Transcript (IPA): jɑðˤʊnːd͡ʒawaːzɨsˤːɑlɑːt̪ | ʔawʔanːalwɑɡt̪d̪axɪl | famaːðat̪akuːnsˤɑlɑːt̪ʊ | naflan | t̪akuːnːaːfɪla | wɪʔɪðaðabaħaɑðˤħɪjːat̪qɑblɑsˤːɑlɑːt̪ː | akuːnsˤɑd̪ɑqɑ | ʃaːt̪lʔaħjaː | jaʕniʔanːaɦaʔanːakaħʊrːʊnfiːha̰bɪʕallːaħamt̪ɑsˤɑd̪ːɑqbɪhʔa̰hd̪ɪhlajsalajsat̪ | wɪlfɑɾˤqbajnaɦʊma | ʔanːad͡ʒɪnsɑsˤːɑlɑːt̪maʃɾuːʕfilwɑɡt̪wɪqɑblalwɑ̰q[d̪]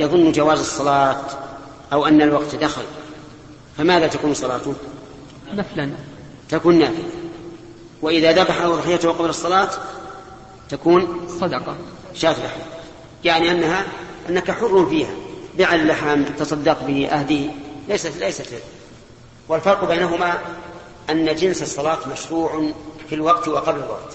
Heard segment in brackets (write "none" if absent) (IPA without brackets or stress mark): t̪